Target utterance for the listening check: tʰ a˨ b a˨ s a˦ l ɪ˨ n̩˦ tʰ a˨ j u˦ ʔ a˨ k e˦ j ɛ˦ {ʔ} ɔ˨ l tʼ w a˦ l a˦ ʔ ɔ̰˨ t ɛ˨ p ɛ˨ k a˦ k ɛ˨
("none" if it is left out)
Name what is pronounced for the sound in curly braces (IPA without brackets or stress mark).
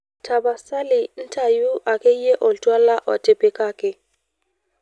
ʔ